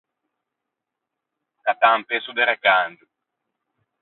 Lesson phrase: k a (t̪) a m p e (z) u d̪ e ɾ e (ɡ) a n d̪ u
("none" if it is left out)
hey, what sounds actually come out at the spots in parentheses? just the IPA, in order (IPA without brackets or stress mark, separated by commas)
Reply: t̪, s, k